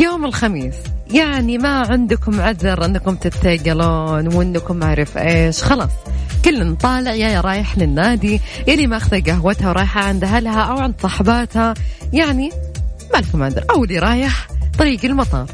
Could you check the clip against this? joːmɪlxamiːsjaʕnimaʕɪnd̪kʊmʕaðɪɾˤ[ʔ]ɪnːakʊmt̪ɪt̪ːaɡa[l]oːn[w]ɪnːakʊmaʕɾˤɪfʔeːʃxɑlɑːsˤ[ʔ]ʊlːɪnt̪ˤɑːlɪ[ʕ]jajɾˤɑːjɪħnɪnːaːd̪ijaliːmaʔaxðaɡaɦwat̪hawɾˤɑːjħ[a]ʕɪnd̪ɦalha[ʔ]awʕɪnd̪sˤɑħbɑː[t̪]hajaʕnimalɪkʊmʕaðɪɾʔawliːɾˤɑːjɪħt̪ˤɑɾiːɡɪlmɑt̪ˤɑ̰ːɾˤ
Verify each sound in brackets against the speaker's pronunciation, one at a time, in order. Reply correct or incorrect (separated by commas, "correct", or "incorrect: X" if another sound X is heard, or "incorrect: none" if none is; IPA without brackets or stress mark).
correct, correct, correct, incorrect: k, correct, correct, correct, correct